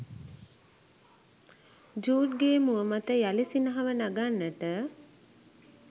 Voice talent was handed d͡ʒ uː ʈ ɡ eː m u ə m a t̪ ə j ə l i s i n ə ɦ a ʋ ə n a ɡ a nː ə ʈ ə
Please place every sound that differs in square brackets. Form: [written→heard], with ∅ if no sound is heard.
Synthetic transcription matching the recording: d͡ʒ uː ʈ ɡ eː m u ə m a t̪ ə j [ə→a] l i s i n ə ɦ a ʋ ə n a ɡ a nː ə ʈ ə